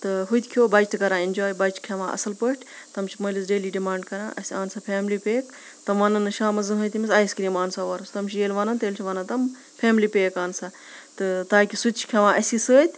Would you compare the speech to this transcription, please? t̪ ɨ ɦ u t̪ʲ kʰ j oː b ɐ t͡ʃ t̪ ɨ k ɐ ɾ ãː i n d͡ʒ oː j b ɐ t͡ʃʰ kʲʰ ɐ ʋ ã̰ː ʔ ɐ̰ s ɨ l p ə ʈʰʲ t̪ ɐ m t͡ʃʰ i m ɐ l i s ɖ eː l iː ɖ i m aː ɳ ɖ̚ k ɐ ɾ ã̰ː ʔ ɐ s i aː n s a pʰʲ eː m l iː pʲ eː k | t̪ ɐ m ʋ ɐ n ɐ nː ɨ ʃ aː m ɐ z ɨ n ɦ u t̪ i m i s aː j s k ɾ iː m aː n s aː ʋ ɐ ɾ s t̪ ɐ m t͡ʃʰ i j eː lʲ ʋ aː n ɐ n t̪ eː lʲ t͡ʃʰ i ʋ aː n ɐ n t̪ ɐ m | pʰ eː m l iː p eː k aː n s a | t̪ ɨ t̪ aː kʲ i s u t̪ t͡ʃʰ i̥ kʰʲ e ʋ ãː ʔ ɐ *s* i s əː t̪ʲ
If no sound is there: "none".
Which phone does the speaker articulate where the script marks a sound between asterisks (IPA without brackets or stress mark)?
s